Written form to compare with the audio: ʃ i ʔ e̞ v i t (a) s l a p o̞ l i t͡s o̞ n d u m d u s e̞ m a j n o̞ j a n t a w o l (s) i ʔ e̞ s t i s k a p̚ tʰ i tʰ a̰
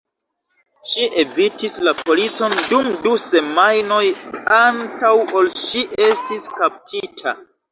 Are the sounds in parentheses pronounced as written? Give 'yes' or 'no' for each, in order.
no, no

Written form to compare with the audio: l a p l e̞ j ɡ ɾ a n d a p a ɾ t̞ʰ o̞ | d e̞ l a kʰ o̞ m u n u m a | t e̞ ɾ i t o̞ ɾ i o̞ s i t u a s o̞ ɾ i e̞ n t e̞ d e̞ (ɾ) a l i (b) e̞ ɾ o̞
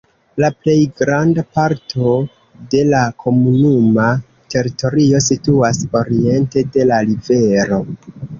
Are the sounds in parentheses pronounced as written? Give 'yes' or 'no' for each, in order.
no, no

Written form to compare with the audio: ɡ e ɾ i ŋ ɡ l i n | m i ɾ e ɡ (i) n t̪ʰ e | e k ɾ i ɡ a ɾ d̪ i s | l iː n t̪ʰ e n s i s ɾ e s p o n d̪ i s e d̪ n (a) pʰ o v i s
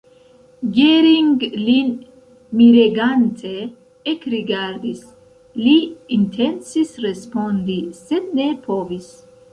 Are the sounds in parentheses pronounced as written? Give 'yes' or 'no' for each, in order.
no, no

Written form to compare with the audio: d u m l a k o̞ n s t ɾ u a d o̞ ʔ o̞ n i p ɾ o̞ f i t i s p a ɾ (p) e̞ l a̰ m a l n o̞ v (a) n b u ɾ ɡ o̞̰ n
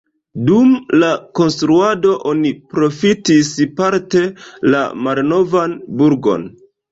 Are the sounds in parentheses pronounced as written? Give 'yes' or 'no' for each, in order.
no, yes

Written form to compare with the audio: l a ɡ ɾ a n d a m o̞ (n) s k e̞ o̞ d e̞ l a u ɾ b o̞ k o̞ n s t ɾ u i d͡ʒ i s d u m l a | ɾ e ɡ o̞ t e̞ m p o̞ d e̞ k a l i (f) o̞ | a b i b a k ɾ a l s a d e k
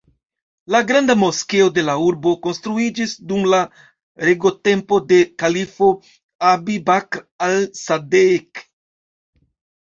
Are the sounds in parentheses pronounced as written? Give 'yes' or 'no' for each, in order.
no, yes

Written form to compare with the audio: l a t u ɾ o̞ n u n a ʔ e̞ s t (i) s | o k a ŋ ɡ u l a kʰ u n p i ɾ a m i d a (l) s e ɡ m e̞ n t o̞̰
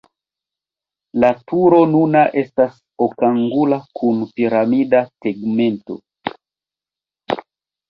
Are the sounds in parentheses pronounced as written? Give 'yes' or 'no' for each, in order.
no, no

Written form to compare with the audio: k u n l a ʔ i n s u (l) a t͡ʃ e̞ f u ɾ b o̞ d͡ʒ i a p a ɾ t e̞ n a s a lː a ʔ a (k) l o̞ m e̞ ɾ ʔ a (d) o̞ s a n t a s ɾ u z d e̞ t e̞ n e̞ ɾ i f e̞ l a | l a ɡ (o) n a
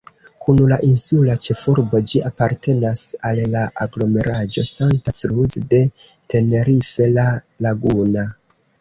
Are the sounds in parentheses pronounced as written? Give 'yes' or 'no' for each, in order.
yes, no, no, no

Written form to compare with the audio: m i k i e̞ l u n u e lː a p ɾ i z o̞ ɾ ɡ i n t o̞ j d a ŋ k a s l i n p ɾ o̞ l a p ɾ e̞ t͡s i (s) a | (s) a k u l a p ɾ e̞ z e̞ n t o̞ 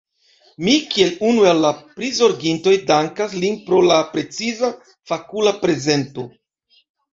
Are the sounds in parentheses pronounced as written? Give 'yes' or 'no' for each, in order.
no, no

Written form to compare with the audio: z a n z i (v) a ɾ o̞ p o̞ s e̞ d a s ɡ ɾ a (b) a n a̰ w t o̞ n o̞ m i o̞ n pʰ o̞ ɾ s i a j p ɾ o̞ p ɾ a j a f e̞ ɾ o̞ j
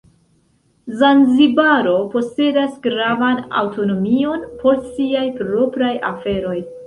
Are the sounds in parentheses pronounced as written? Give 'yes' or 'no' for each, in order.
no, no

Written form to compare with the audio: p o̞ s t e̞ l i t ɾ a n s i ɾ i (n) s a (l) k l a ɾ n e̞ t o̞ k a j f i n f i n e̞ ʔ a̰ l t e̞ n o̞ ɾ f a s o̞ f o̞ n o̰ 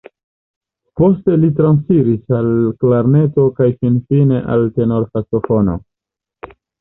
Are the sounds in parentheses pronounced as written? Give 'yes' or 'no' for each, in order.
no, yes

